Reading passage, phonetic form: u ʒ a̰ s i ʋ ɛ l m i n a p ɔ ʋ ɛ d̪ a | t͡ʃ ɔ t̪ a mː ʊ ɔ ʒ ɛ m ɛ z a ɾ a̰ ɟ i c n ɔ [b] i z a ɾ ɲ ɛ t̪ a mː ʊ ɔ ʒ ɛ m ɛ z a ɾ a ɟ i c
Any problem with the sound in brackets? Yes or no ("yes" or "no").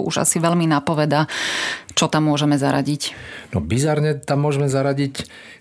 no